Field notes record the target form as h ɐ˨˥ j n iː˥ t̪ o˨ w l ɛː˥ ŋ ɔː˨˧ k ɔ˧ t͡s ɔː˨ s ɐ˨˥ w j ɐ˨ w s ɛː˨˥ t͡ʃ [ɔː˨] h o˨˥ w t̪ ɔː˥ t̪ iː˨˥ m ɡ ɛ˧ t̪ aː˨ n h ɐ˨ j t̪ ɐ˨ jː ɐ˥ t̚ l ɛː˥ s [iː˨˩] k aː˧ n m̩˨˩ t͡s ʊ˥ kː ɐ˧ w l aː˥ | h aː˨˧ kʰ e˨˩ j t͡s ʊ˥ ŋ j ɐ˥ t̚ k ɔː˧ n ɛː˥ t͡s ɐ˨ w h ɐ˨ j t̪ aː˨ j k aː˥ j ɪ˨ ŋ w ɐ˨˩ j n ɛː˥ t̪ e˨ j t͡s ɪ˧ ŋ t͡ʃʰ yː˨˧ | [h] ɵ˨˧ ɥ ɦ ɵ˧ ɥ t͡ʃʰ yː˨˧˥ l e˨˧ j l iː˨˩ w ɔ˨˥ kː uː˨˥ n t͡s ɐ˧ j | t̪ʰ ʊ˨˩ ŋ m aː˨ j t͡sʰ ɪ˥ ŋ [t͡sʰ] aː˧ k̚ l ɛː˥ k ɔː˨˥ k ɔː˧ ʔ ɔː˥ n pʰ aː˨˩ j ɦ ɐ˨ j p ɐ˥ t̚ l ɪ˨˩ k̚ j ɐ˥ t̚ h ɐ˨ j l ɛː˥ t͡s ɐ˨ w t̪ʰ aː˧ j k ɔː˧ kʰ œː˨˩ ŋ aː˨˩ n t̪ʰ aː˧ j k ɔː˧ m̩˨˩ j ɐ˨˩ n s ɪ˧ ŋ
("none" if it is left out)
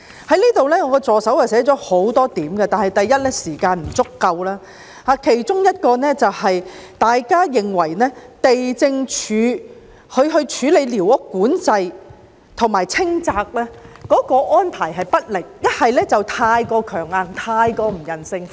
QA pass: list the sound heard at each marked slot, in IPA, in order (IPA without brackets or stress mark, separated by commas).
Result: ɔː˨˥, iː˨˩, h, t͡s